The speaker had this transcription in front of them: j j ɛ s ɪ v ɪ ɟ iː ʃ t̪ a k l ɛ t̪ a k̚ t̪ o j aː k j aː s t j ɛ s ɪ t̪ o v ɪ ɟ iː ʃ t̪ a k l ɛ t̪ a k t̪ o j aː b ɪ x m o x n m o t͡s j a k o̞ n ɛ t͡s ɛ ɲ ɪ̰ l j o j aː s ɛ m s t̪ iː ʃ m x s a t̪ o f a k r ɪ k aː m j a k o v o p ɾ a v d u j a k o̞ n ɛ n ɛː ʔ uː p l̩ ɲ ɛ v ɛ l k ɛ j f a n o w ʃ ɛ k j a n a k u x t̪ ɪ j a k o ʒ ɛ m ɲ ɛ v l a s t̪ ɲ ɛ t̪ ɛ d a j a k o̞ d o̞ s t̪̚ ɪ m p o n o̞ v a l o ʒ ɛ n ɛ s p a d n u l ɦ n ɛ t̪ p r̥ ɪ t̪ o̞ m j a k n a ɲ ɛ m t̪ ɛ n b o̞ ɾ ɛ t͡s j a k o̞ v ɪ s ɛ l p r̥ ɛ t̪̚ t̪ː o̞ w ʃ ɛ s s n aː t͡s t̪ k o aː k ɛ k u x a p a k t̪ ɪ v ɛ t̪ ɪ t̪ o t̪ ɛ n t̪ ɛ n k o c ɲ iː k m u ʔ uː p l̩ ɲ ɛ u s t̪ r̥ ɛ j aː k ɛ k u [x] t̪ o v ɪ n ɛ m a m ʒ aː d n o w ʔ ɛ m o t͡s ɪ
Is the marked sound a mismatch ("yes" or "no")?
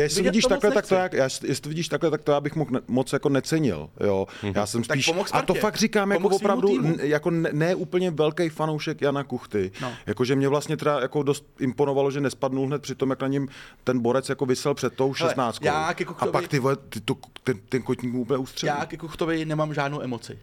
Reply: no